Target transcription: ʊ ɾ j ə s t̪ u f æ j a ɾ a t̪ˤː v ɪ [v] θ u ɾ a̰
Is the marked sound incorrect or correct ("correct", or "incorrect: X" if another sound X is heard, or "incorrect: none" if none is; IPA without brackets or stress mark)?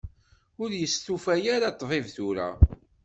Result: correct